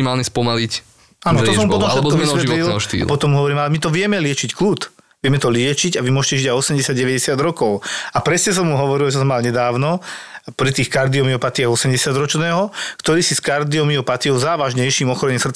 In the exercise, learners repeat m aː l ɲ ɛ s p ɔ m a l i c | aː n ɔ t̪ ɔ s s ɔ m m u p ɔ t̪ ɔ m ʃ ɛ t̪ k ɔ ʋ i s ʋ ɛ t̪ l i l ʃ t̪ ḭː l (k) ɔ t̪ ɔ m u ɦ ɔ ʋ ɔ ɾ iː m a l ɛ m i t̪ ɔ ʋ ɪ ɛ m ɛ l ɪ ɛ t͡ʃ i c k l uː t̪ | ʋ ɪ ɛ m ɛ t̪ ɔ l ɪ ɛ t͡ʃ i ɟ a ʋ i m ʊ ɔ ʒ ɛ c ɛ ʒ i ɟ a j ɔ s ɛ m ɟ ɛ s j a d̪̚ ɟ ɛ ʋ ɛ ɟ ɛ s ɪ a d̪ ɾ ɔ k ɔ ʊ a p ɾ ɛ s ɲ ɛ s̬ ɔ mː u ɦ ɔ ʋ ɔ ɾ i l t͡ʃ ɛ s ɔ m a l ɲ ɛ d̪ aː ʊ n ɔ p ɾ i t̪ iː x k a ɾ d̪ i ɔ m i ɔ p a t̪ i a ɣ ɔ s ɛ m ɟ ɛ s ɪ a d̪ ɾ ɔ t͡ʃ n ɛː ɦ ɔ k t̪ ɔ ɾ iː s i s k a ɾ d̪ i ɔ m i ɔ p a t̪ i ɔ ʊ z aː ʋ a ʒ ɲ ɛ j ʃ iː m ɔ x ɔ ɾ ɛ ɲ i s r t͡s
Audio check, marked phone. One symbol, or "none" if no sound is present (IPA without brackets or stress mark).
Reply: p